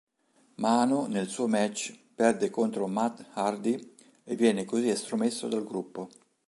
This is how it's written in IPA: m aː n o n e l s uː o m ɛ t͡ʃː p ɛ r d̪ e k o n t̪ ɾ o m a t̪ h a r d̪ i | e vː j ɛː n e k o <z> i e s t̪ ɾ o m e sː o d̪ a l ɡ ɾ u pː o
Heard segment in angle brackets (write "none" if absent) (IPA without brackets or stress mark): z